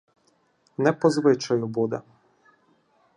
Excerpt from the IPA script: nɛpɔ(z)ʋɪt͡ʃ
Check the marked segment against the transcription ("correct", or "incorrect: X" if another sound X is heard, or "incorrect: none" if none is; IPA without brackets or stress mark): correct